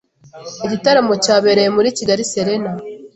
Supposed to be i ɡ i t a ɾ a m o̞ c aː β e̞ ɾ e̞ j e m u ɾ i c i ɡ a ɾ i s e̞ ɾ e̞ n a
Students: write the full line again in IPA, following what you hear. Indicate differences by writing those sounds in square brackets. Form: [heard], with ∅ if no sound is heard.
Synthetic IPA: i [ɟ] i t a ɾ a m o̞ c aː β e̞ ɾ e̞ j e m u ɾ i c i ɡ a ɾ i s e̞ ɾ e̞ n a